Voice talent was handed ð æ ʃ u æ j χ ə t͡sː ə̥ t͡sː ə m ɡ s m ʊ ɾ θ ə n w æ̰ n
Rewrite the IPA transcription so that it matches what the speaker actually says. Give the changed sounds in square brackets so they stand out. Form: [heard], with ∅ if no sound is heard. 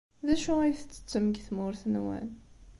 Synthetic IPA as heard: ð æ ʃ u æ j [θ] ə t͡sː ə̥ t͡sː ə m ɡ [θ] m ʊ ɾ θ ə n w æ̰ n